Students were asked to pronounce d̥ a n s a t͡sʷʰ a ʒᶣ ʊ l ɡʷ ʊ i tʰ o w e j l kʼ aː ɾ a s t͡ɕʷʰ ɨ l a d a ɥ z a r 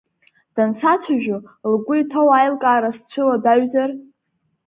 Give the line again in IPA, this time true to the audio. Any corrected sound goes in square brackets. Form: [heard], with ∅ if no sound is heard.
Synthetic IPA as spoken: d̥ a n s a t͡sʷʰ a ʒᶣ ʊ l ɡʷ ʊ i tʰ o w [a] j l kʼ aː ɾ a s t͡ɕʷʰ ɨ l a d a ɥ z a r